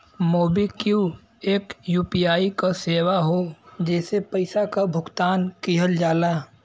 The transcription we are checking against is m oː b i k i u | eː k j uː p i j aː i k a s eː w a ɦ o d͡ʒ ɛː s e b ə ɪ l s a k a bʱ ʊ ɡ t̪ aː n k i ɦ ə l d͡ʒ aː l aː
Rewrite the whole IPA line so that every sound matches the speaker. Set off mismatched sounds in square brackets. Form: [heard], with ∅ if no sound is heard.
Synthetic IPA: m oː b i k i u | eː k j uː p i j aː i k a s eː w a ɦ o d͡ʒ ɛː s e [p] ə ɪ [∅] s a k a bʱ ʊ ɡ t̪ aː n k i ɦ ə l d͡ʒ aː l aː